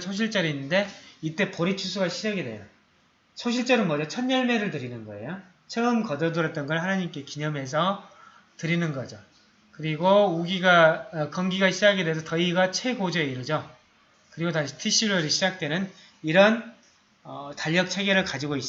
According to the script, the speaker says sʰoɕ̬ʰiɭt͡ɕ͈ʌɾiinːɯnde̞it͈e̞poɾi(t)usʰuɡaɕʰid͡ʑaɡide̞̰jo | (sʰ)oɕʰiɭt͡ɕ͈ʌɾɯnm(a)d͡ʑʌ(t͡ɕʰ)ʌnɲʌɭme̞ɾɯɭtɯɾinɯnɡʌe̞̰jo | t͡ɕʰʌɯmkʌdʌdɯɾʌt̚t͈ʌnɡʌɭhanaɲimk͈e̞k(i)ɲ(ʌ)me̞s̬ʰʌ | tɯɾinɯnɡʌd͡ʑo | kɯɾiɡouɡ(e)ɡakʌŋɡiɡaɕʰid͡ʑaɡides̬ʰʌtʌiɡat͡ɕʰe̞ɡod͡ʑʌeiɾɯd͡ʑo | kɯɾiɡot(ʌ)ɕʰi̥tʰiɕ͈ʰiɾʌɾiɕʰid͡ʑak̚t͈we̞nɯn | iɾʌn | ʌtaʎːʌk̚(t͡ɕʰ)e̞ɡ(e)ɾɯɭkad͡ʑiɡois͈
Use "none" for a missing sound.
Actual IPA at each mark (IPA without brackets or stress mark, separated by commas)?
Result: t͡ɕʰ, sʰ, ʌ, t͡ɕʰ, i, ʌ, i, a, t͡ɕʰ, e